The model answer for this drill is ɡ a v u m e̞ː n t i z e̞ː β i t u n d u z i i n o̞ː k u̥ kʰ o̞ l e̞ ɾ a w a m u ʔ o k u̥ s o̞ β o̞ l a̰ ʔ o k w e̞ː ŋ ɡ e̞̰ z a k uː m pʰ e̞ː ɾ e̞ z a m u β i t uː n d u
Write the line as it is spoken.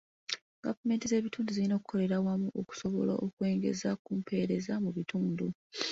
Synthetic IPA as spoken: ɡ a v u m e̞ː n t i z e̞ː β i t uː n d u z i i n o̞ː k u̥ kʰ o̞ l e̞ ɾ a w a m u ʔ o k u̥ s o̞ β o̞ l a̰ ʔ o k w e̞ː ŋ ɡ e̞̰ z a k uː m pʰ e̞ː ɾ e̞ z a m u β i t uː n d u